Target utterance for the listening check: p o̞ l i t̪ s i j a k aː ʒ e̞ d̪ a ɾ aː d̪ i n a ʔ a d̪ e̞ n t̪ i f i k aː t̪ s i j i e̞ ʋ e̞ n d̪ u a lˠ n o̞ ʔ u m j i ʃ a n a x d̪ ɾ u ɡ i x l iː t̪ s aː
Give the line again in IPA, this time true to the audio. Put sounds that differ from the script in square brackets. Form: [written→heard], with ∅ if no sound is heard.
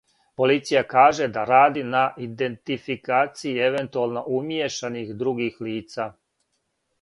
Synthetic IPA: p o̞ l i t̪ s i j a k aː ʒ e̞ d̪ a ɾ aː d̪ i n a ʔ [a→i] d̪ e̞ n t̪ i f i k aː t̪ s i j i e̞ ʋ e̞ n [d̪→t̪] u a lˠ n o̞ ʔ u m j [i→e] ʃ a n [a→i] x d̪ ɾ u ɡ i x l iː t̪ s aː

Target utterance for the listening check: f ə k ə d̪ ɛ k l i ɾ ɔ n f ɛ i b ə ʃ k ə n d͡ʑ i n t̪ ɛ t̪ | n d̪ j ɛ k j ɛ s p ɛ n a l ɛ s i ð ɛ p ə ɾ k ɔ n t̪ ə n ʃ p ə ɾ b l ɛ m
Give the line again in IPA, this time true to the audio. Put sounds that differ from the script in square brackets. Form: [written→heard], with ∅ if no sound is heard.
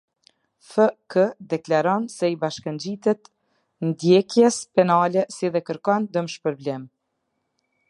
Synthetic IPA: f ə k ə d̪ ɛ k l [i→a] ɾ ɔ n [f→s] ɛ i b [ə→a] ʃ k ə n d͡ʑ i [n→∅] t̪ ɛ t̪ | n d̪ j ɛ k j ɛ s p ɛ n a l ɛ s i ð ɛ [p→k] ə ɾ k ɔ n [t̪→d̪] ə [n→m] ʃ p ə ɾ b l ɛ m

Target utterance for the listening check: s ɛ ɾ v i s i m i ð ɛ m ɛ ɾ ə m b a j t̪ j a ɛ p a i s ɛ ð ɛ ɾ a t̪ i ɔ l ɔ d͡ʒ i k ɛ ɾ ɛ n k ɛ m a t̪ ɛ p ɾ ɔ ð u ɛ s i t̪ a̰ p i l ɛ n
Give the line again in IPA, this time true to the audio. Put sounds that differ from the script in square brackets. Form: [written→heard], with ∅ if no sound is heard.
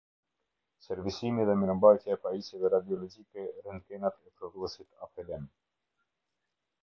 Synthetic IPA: s ɛ ɾ v i s i m i ð ɛ m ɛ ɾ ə m b a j t̪ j a ɛ p a i s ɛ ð ɛ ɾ a [t̪→d̪] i ɔ l ɔ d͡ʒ i k ɛ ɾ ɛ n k ɛ [m→n] a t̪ ɛ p ɾ ɔ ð u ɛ s i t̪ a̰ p [i→ɛ] l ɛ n

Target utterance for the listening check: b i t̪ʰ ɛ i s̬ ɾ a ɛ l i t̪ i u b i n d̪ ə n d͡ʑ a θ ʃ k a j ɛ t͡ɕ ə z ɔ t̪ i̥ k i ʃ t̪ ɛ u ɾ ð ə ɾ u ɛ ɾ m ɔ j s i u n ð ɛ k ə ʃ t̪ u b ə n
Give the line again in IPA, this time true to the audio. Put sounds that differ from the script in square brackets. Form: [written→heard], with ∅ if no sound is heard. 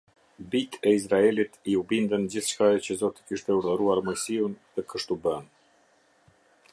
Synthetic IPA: b i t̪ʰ ɛ i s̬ ɾ a ɛ l i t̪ i u b i n d̪ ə n d͡ʑ [a→i] θ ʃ k a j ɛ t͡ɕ ə z ɔ t̪ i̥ k i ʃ t̪ ɛ u ɾ ð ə ɾ u [ɛ→a] ɾ m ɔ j s i u n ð ɛ k ə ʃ t̪ u b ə n

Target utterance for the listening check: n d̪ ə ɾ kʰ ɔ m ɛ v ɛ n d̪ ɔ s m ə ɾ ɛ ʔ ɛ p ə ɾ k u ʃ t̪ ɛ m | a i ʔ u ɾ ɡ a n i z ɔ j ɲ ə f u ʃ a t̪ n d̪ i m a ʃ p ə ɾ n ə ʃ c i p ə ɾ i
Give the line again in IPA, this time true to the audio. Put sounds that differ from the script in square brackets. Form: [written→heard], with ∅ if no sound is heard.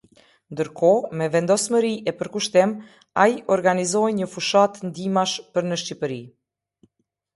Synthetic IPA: n d̪ ə ɾ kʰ ɔ m ɛ v ɛ n d̪ ɔ s m ə ɾ [ɛ→i] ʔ ɛ p ə ɾ k u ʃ t̪ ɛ m | a i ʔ [u→ɔ] ɾ ɡ a n i z ɔ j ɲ ə f u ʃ a t̪ n d̪ i m a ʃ p ə ɾ n ə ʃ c i p ə ɾ i

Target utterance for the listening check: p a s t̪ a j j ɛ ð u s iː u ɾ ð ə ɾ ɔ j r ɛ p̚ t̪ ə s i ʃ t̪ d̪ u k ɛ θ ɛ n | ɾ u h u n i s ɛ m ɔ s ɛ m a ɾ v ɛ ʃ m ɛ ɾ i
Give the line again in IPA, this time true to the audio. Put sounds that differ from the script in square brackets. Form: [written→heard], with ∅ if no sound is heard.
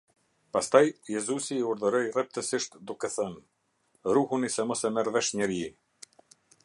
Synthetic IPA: p a s t̪ a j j ɛ [ð→z] u s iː u ɾ ð ə ɾ ɔ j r ɛ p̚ t̪ ə s i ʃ t̪ d̪ u k ɛ θ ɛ n | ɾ u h u n i s ɛ m ɔ s ɛ m [a→ɛ] ɾ v ɛ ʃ [m→ɲ] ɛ ɾ i

